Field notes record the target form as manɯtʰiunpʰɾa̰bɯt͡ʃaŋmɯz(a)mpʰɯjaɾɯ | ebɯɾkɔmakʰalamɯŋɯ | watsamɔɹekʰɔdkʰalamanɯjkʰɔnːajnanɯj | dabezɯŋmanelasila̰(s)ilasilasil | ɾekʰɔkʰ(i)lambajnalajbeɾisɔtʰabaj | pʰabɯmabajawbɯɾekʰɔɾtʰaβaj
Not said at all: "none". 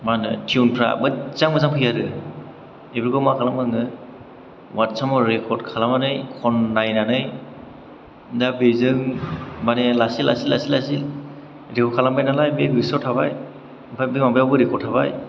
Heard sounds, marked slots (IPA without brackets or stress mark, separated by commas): a, s, a